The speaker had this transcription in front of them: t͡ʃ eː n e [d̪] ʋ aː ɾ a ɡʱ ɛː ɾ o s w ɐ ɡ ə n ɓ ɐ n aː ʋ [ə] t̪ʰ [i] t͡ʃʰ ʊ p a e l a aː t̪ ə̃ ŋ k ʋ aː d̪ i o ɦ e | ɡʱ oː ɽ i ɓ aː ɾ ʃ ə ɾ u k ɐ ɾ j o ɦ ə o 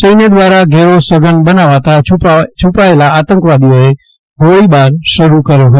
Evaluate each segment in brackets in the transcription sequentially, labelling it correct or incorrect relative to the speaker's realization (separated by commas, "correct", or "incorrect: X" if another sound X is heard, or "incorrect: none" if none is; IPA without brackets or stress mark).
correct, incorrect: a, incorrect: a